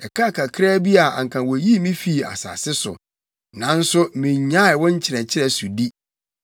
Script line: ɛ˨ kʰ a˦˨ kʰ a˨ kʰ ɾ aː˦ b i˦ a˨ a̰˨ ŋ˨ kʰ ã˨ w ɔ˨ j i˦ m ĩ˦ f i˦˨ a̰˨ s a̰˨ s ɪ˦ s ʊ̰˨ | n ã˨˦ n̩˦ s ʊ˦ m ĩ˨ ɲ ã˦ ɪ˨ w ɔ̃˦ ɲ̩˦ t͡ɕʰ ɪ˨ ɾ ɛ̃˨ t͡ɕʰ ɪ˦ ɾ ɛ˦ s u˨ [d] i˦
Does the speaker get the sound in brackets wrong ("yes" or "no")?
no